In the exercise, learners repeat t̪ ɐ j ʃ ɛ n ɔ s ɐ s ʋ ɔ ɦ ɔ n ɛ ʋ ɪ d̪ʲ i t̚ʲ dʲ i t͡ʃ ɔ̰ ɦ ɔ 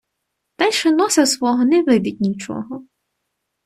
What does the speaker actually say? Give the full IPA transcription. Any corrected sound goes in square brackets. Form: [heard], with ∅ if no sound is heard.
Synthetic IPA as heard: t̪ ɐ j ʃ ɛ n ɔ s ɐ s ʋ ɔ ɦ ɔ n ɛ ʋ ɪ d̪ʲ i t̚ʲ [nʲ] i t͡ʃ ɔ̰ ɦ ɔ